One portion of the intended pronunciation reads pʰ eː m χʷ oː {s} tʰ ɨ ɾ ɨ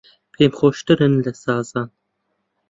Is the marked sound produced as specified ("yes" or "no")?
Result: no